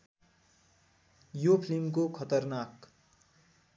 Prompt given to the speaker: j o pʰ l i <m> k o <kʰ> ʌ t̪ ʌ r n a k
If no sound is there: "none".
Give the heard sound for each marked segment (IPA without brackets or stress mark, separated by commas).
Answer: m, kʰ